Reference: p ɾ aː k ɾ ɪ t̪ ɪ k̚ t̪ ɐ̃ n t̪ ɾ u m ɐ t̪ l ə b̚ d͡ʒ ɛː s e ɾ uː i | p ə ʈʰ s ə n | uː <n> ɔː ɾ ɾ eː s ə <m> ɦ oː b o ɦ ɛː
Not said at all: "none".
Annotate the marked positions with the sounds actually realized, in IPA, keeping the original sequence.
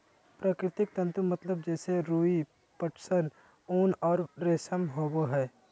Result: n, m

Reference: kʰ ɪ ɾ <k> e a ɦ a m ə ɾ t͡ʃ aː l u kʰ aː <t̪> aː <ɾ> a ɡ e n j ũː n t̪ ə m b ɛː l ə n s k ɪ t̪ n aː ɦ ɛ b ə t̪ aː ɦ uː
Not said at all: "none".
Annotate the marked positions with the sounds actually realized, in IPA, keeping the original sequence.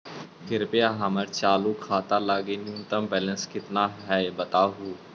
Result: p, t̪, l

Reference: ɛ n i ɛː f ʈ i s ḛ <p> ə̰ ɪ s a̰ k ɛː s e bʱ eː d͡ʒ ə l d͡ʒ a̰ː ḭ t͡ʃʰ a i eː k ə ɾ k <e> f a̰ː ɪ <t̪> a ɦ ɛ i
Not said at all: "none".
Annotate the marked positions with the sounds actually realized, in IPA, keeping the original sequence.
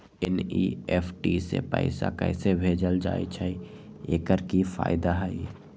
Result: p, i, d̪

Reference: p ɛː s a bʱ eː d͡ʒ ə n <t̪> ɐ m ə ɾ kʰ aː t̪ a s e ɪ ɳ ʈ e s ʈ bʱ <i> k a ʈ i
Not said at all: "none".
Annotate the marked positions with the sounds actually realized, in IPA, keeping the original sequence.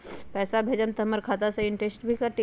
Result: t̪, i

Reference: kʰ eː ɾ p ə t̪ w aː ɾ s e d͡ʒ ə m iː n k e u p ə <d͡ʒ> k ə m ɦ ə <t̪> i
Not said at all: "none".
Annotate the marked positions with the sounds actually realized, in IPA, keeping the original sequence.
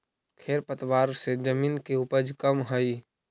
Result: d͡ʒ, none

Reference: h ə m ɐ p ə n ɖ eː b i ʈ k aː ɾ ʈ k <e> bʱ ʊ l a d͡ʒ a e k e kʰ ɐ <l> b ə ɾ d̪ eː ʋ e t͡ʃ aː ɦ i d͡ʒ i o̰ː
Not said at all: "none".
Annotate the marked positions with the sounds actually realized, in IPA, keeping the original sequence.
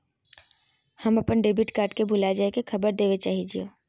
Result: e, none

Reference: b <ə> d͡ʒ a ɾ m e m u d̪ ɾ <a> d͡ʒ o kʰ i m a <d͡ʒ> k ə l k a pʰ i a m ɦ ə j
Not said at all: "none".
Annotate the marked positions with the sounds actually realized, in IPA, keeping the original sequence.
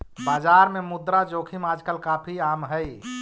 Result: a, a, d͡ʒ

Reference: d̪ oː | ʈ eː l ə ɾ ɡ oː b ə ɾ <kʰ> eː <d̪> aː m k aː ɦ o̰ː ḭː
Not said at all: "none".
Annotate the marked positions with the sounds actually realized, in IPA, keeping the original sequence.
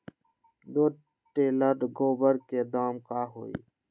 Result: k, d̪

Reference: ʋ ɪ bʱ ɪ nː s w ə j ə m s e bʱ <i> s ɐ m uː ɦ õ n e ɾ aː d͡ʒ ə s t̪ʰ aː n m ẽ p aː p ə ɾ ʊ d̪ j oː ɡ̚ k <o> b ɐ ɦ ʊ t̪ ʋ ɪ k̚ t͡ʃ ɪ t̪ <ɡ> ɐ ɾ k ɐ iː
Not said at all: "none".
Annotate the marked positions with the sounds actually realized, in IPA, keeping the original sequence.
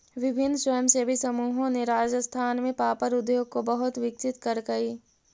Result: i, o, k

